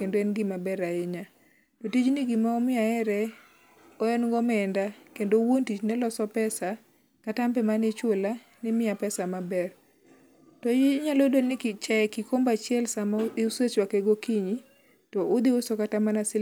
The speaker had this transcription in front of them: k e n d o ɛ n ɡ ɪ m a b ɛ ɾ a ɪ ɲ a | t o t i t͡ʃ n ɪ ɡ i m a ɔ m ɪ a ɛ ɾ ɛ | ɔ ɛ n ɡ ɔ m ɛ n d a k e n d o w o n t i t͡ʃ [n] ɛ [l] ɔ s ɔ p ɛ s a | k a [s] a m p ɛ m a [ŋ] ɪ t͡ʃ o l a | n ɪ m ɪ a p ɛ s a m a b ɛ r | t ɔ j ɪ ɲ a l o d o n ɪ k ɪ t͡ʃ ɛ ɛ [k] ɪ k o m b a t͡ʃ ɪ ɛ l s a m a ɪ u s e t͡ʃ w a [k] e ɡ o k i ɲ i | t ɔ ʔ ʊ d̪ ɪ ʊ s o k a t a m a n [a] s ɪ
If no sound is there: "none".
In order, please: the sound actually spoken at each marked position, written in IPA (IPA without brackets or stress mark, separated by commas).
n, l, t, n, k, k, a